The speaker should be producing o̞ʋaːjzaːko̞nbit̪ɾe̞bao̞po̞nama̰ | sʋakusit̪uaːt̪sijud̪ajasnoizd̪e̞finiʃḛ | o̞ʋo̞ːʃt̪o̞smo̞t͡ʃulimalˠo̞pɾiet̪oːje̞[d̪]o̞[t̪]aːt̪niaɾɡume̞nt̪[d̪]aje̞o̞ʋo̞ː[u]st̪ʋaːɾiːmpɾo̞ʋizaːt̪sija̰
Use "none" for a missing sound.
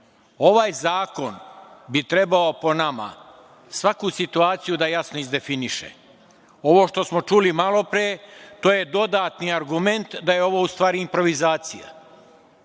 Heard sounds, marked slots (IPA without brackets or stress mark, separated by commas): d̪, d̪, d̪, u